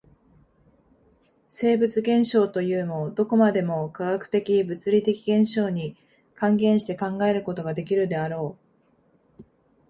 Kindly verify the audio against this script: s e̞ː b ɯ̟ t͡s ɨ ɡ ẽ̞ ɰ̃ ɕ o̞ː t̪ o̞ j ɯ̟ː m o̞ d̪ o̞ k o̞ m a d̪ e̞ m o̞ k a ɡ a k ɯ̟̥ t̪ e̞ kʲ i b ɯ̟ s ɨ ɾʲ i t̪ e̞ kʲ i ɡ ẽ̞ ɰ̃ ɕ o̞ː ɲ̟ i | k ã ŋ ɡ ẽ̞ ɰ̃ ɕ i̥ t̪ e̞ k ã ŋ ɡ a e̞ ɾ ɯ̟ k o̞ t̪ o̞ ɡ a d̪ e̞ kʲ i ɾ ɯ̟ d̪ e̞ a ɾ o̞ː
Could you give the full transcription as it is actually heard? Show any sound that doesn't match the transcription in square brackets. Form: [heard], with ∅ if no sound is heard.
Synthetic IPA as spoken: s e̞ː b ɯ̟ t͡s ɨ ɡ ẽ̞ ɰ̃ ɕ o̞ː t̪ o̞ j ɯ̟ː m o̞ d̪ o̞ k o̞ m a d̪ e̞ m o̞ k a ɡ a k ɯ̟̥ t̪ e̞ kʲ i b ɯ̟ [t͡s] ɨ ɾʲ i t̪ e̞ kʲ i ɡ ẽ̞ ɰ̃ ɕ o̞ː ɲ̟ i | k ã ŋ ɡ ẽ̞ ɰ̃ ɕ i̥ t̪ e̞ k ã ŋ ɡ a e̞ ɾ ɯ̟ k o̞ t̪ o̞ ɡ a d̪ e̞ kʲ i ɾ ɯ̟ d̪ e̞ a ɾ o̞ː